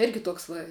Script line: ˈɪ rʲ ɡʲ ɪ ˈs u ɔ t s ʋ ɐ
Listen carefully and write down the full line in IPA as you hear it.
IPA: ˈɪ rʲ ɡʲ ɪ ˈt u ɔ k s ʋ ɐ